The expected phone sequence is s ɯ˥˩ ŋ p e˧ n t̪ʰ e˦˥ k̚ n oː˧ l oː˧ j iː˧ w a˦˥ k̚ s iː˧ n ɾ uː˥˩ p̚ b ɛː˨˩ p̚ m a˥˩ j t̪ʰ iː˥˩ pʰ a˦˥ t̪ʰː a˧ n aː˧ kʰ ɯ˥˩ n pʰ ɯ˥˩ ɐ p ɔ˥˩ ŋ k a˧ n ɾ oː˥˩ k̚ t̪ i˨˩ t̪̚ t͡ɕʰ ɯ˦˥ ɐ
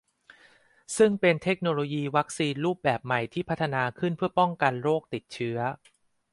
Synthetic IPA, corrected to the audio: s ɯ˥˩ ŋ p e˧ n t̪ʰ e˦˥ k̚ n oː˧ l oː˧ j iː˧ w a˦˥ k̚ s iː˧ n ɾ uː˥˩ p̚ b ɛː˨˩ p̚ m a˨˩ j t̪ʰ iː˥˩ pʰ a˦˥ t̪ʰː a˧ n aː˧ kʰ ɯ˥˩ n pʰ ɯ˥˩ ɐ p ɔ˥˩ ŋ k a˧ n ɾ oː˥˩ k̚ t̪ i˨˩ t̪̚ t͡ɕʰ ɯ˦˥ ɐ